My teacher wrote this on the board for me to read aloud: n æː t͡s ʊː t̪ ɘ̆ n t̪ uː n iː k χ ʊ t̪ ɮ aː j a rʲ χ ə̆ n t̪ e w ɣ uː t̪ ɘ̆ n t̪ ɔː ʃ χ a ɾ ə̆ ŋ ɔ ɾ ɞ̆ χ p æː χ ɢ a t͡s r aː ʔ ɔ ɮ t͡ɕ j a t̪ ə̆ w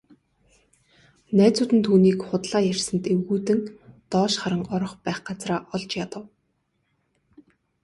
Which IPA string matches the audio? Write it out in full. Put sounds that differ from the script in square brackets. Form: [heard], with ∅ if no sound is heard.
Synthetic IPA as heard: n æː t͡s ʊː t̪ ɘ̆ n [t̪ʰ] uː n iː k χ ʊ t̪ ɮ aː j [æ] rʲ [s] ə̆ n t̪ e w ɣ uː t̪ ɘ̆ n t̪ ɔː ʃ χ a ɾ ə̆ ŋ ɔ ɾ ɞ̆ χ p æː χ ɢ a t͡s r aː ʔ ɔ ɮ t͡ɕ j a t̪ ə̆ w